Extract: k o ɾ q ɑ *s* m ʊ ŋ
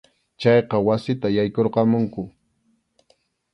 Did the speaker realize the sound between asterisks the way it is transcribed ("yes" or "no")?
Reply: no